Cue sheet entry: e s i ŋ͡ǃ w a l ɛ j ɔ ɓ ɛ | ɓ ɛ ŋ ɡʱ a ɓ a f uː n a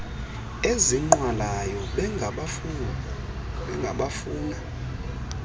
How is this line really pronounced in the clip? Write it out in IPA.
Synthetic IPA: e z i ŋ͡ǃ w a l a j ɔ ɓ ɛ | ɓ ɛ ŋ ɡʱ a ɓ a f uː n a